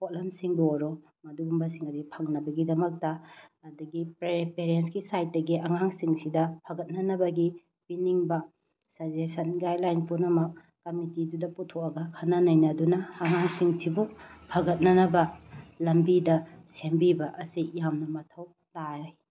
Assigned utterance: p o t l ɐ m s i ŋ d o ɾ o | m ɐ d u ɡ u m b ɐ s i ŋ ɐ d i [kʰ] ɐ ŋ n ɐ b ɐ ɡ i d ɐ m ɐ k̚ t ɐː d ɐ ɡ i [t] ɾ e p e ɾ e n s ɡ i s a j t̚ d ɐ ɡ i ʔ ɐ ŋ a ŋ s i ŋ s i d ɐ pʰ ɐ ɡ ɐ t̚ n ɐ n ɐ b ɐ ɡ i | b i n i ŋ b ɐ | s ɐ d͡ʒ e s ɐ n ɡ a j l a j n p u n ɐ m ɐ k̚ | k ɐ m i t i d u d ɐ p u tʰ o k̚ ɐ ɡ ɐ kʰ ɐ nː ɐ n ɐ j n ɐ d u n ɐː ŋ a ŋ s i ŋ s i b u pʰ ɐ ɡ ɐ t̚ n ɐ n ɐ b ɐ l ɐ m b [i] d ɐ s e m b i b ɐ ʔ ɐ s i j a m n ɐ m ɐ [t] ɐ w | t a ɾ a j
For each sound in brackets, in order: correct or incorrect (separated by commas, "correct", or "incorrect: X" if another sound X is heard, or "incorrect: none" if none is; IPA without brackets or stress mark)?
incorrect: pʰ, incorrect: p, correct, incorrect: tʰ